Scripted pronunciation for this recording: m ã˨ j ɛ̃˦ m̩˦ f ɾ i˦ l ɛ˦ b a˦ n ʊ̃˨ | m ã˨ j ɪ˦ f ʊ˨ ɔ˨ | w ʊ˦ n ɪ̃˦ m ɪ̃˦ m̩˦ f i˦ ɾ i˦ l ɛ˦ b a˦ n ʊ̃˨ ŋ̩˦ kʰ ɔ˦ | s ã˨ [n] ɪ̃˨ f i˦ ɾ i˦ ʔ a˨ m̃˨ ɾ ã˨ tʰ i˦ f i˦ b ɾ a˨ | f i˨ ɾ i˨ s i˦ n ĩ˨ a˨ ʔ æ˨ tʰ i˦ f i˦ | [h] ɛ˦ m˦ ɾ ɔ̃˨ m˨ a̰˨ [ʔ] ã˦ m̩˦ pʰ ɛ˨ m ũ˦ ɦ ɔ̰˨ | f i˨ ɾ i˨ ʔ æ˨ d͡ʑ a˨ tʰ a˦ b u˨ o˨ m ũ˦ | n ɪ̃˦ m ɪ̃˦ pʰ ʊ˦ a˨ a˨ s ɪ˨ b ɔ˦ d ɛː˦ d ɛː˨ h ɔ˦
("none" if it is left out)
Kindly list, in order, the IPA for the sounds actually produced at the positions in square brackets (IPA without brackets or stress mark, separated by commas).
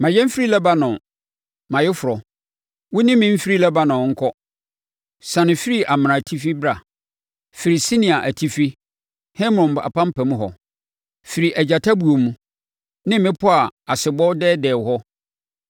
n, h, p